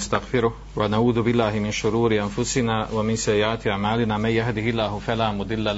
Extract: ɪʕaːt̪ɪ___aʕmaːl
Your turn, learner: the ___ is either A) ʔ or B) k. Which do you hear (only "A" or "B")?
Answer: A